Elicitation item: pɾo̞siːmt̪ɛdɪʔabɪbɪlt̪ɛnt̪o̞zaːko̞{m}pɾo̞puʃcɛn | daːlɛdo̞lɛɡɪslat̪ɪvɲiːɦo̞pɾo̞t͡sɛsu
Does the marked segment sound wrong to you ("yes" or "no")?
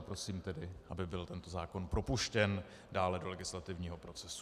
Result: yes